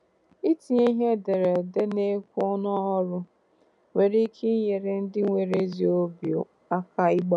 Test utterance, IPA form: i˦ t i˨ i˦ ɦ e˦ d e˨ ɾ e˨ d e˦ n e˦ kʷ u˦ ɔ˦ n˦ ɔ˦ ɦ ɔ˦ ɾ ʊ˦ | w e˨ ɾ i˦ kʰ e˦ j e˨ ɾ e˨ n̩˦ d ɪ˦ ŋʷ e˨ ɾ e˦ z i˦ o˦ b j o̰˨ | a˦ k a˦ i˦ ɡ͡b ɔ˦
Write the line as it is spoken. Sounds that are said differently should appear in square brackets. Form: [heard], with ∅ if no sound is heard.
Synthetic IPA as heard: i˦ t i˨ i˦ ɦ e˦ d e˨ ɾ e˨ d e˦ n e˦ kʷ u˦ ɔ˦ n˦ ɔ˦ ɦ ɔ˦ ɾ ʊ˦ | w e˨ ɾ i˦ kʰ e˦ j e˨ ɾ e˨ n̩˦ d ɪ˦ ŋʷ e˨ ɾ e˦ z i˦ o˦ b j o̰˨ | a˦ k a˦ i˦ ɡ͡b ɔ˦

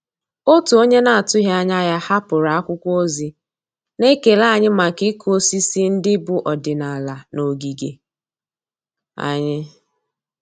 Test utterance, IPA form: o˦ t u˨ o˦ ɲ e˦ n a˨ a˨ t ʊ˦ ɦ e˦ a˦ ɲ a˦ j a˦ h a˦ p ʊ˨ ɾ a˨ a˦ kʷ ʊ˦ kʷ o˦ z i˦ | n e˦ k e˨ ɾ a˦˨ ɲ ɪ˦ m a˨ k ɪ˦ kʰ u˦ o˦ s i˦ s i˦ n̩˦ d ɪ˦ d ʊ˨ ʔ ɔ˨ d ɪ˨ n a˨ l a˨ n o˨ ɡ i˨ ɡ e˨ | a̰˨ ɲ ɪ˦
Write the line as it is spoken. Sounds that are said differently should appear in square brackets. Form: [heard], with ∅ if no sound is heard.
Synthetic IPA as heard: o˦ t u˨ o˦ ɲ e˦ n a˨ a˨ t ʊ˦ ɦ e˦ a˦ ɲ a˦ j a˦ h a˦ p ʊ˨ ɾ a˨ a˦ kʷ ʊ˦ kʷ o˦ z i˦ | n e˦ k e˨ [l] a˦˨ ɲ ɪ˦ m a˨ k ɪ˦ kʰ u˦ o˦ s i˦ s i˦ n̩˦ d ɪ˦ [b] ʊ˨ ʔ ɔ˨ d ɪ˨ n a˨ l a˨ n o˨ ɡ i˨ ɡ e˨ | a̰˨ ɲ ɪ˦

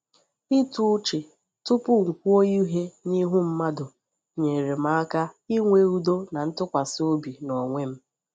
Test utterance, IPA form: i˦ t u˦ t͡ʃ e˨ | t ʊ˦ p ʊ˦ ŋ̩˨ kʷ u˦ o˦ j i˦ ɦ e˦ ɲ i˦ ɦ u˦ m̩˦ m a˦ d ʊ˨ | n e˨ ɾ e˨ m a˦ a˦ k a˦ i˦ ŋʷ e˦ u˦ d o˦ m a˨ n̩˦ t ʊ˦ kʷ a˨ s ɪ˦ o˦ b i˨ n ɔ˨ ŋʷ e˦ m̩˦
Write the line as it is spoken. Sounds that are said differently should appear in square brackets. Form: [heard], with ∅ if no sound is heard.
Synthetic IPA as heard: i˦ t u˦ t͡ʃ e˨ | t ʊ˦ p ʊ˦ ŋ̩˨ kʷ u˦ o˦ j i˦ ɦ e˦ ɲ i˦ ɦ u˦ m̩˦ m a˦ d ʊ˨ | [ɲ] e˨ ɾ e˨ m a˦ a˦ k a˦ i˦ ŋʷ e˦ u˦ d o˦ [n] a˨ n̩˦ t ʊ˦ kʷ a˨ s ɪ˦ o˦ b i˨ n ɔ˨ ŋʷ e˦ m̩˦

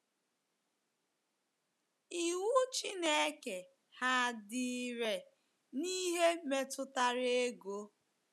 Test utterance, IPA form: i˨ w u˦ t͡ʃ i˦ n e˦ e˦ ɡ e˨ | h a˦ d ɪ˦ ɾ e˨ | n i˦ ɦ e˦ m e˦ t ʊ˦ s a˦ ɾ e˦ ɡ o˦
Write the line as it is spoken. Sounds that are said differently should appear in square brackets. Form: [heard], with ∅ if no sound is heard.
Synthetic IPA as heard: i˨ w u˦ t͡ʃ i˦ n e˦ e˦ [k] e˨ | h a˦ d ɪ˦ ɾ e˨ | n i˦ ɦ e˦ m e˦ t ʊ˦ [t] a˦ ɾ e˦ ɡ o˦

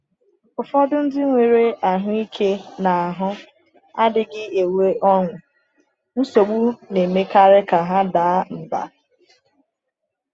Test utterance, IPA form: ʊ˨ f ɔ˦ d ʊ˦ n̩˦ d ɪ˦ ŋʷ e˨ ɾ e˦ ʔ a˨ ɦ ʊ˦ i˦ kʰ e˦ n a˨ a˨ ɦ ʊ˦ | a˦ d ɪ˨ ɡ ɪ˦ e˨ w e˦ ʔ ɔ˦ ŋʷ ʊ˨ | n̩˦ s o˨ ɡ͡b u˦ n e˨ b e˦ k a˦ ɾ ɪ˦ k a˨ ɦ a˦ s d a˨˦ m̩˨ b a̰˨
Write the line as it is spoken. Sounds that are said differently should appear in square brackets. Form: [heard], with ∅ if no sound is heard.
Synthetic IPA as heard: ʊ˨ f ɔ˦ d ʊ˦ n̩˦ d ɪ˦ ŋʷ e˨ ɾ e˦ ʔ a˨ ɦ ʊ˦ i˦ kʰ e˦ n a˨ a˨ ɦ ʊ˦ | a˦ d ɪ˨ ɡ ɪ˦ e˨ w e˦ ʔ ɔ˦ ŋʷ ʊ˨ | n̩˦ s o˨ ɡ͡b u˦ n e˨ [m] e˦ k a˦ ɾ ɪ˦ k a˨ ɦ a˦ [∅] d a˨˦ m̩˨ b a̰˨

